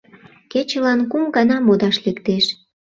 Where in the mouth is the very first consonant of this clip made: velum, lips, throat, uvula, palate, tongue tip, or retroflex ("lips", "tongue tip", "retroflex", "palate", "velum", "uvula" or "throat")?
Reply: velum